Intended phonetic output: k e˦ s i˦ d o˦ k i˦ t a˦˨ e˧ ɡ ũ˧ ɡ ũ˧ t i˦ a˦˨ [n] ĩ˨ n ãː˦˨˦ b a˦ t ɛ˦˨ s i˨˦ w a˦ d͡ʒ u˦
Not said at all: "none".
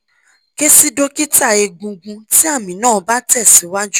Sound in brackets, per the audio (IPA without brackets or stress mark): m